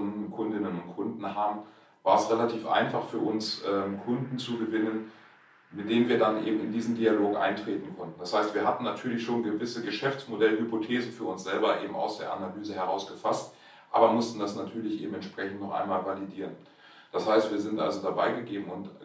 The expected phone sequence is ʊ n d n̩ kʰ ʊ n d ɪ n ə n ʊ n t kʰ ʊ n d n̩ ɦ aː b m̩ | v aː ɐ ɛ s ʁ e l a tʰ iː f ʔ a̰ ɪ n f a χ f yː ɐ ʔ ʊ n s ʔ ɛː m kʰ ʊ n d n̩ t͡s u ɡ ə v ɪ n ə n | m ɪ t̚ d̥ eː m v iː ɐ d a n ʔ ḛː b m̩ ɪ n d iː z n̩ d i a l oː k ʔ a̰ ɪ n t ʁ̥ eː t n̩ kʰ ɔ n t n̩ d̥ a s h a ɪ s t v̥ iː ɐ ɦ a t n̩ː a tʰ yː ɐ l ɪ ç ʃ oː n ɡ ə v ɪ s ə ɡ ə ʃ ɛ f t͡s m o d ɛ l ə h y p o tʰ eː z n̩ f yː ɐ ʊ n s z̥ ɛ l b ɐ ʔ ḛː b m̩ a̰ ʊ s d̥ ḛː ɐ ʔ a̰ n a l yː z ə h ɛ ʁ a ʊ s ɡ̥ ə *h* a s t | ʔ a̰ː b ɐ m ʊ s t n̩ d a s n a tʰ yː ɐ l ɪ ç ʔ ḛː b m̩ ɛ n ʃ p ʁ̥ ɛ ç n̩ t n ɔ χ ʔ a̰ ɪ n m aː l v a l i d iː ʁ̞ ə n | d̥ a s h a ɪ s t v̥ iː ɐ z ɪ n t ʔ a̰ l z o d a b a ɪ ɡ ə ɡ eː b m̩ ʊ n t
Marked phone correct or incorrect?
incorrect